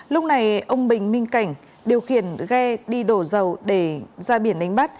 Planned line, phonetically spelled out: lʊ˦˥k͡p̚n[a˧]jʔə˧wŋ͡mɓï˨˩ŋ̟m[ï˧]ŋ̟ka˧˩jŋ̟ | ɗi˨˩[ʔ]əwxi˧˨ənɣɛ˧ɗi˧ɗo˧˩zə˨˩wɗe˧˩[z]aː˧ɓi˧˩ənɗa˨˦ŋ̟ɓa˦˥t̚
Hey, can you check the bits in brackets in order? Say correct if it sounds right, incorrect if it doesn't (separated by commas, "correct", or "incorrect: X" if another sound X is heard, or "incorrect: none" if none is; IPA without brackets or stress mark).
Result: incorrect: a˨˩, correct, incorrect: none, correct